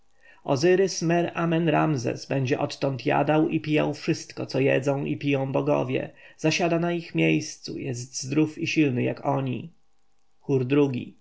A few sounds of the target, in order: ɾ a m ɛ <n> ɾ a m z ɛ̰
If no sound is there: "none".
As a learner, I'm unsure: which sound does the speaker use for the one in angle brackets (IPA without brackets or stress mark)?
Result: n